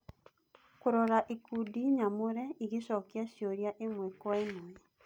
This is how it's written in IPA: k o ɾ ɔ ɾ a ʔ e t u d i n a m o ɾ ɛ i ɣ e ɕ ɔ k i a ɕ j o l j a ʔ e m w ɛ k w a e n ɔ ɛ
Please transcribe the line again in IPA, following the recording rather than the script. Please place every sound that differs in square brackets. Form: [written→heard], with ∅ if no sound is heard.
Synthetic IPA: k o ɾ ɔ ɾ a ʔ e [t→k] u d i [n→ɲ] a m o ɾ ɛ i ɣ e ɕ ɔ k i a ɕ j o [l→ɾ] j a ʔ e m w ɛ k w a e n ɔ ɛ

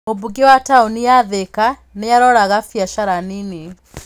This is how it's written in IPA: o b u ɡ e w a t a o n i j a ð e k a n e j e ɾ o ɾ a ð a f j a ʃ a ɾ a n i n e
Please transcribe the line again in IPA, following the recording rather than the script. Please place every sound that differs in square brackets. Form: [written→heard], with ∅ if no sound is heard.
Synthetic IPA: o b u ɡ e w a t a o n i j a ð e k a n e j [e→a] ɾ [o→ɔ] ɾ a [ð→ɣ] a f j a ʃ a ɾ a n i n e

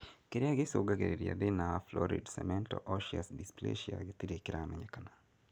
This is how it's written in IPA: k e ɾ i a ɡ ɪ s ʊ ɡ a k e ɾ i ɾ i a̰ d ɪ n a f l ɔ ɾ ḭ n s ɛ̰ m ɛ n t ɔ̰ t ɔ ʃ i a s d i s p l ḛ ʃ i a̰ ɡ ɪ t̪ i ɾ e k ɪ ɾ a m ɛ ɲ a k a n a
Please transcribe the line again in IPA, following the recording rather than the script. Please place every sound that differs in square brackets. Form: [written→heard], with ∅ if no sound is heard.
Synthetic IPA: k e ɾ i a ɡ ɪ s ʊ ɡ a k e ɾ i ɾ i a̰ d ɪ n a f l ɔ ɾ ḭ [n→d] s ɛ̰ m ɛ n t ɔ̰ [t→ʔ] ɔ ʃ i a s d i s p l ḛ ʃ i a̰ ɡ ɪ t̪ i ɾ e k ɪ ɾ a m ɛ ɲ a k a n a

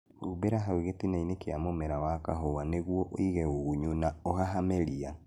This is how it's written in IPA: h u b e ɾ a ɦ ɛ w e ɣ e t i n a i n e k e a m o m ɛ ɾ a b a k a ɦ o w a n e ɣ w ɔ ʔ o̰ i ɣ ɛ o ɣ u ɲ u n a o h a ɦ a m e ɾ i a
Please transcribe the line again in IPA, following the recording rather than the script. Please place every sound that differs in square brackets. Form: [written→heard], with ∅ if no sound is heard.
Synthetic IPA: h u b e ɾ a ɦ [ɛ→a] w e ɣ e t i n a i n e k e a m o m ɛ ɾ a [b→w] a k a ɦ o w a n e ɣ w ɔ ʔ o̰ i ɣ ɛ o ɣ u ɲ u n a o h a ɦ a m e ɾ i a

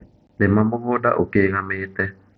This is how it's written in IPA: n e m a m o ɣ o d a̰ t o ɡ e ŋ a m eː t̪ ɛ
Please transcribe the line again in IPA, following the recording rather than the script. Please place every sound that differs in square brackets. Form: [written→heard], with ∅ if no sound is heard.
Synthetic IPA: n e m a m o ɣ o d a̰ [t→ʔ] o [ɡ→k] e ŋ a m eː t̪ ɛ

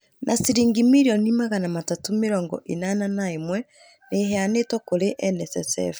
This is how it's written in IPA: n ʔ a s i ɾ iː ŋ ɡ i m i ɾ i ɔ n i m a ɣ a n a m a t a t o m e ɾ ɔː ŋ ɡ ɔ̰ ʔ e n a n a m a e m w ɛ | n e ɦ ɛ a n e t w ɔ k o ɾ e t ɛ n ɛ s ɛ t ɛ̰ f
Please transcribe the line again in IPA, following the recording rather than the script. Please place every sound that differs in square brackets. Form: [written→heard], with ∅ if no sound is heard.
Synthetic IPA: n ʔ a s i ɾ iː ŋ ɡ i m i ɾ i ɔ n i m a ɣ a n a m a t a t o m e ɾ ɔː ŋ ɡ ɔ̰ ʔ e n a n a [m→n] a e m w ɛ | n e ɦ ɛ a n e t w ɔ k o ɾ e [t→ʔ] ɛ n ɛ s ɛ [t→s] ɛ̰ f

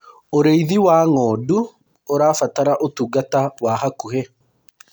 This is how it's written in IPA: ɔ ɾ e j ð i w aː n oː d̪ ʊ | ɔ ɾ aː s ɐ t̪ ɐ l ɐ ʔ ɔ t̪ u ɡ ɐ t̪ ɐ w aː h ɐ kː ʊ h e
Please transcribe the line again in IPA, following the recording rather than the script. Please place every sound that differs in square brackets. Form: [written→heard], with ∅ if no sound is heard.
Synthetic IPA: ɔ ɾ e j ð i w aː [n→ŋ] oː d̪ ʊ | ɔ ɾ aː [s→f] ɐ t̪ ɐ [l→ɾ] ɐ ʔ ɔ t̪ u ɡ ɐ t̪ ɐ w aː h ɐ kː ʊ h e

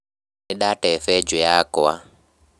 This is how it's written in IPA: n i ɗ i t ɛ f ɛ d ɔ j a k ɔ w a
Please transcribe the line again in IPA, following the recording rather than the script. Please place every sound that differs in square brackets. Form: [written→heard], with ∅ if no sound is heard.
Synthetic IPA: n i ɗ [i→a] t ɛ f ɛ [d→d͡ʒ] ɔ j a k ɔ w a

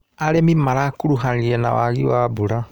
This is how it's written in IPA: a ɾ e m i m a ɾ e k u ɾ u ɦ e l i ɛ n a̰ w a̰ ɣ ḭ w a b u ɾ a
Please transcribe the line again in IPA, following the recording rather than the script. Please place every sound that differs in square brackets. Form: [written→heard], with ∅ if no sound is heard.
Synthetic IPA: a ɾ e m i m a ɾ [e→a] k u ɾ u ɦ [e→a] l i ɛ n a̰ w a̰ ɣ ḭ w a b u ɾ a

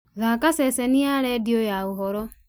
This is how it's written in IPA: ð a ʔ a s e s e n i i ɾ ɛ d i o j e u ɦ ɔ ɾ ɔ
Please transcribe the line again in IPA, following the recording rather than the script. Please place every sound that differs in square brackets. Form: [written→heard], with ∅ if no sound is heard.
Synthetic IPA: [ð→ɣ] a [ʔ→k] a s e s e n i [i→a] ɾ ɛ d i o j [e→a] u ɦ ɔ ɾ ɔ

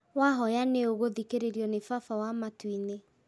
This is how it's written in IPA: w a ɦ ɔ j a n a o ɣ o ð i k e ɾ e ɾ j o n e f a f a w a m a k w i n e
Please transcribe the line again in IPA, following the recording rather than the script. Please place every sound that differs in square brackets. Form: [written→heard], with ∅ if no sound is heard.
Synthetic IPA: w a ɦ ɔ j a n [a→e] o ɣ o ð i k e ɾ e ɾ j [o→ɔ] n e f a f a w a m a [k→t] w i n e

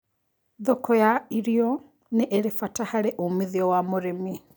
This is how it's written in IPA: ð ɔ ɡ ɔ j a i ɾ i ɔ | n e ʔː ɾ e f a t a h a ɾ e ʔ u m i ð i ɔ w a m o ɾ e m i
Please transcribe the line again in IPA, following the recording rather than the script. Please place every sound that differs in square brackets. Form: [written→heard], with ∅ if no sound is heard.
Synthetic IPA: ð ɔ [ɡ→k] ɔ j a i ɾ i ɔ | n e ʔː ɾ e f a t a h a ɾ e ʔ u m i ð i ɔ w a m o ɾ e m i

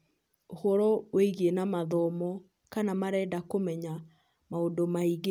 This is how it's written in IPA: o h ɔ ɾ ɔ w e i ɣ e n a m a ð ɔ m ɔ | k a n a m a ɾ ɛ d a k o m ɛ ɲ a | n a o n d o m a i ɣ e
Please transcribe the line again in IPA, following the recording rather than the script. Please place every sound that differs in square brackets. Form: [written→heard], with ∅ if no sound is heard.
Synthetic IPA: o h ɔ ɾ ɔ w e i ɣ e n a m a ð ɔ m ɔ | k a n a m a ɾ ɛ d a k o m ɛ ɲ a | [n→m] a o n d o m a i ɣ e

